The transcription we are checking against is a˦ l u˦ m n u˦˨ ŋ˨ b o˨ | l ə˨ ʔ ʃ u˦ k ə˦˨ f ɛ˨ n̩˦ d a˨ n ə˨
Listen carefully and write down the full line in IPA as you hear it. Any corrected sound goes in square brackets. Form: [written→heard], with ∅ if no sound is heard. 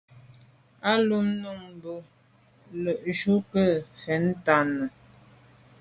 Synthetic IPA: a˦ l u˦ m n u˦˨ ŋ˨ b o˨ | l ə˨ ʔ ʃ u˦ k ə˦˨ f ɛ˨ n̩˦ [d→t] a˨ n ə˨